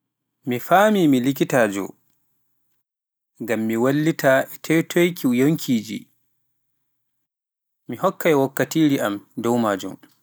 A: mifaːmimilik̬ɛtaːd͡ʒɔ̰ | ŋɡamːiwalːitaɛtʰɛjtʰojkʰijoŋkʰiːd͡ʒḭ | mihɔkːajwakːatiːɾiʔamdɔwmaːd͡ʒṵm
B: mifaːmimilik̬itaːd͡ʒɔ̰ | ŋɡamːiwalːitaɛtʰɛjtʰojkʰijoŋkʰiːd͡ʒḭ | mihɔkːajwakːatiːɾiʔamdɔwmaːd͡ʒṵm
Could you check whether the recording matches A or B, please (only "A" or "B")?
B